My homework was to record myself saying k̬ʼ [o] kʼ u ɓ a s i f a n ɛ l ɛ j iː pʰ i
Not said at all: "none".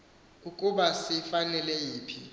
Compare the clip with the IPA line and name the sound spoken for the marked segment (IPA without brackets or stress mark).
u